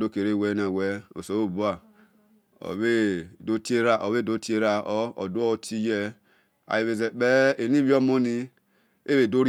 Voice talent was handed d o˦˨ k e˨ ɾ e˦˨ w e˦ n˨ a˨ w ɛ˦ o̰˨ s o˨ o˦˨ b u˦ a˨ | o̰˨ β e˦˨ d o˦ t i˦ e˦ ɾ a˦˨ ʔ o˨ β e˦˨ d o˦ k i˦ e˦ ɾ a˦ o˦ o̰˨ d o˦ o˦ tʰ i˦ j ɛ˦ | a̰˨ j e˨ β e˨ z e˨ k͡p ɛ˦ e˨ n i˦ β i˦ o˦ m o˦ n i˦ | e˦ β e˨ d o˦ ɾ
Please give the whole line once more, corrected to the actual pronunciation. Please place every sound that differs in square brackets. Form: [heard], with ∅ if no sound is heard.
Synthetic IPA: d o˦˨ k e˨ ɾ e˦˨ w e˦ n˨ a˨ w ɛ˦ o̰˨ s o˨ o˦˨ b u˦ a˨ | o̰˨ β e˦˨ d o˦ t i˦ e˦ ɾ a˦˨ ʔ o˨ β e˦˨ d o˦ [t] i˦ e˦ ɾ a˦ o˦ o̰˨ d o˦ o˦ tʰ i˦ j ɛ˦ | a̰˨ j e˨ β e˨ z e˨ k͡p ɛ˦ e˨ n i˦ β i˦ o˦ m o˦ n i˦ | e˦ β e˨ d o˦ ɾ